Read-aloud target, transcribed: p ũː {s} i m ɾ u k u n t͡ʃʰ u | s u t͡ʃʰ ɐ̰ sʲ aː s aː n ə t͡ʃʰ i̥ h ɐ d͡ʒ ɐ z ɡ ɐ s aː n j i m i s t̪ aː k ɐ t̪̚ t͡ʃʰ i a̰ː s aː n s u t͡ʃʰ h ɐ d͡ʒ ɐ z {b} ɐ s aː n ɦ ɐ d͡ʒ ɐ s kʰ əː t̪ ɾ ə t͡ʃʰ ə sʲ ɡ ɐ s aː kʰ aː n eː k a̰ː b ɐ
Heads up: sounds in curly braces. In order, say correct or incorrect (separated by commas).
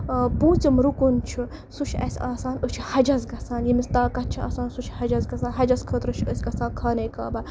incorrect, incorrect